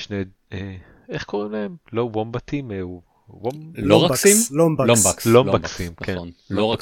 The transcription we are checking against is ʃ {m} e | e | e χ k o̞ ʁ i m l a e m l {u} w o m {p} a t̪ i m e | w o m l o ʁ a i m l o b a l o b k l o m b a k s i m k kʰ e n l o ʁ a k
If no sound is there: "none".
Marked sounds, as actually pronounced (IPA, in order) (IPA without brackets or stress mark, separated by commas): n, o, b